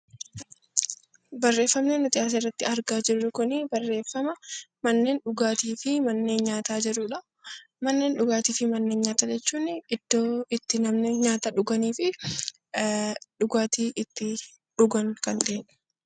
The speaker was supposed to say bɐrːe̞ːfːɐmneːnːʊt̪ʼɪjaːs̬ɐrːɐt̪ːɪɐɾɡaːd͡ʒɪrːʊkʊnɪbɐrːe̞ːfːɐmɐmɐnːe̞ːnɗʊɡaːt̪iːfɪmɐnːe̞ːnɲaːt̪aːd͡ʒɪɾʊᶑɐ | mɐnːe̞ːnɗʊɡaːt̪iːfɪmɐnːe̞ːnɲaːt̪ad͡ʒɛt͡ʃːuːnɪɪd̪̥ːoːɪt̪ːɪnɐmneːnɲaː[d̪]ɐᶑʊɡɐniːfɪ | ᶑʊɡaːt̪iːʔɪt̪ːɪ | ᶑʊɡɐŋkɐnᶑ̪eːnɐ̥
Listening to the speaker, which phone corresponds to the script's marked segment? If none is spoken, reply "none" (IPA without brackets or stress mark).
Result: t̪